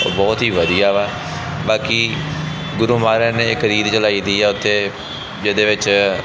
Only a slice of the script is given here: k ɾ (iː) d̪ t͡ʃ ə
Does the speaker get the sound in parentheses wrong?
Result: no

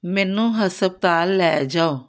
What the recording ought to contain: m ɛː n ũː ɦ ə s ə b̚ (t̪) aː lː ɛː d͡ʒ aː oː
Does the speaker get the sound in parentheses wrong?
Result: no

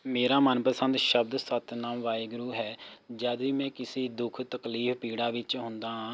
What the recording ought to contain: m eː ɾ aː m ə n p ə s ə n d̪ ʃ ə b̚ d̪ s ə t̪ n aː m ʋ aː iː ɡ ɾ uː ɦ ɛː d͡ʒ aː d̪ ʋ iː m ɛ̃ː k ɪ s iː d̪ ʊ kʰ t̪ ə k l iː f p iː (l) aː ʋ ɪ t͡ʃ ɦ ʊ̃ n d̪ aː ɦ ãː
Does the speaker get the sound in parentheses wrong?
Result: yes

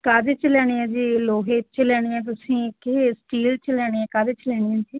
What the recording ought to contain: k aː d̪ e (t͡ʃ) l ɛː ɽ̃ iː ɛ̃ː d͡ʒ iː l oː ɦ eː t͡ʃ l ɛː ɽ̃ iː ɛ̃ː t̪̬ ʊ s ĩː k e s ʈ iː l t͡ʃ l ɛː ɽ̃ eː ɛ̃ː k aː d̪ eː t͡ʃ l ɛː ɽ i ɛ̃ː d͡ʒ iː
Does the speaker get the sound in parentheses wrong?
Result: no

